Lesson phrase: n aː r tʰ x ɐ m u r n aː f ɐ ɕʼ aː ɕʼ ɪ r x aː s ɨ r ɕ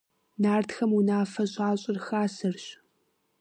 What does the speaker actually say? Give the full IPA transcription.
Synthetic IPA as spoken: n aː r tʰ x ɐ m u n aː f ɐ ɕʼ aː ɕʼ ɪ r x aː s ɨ r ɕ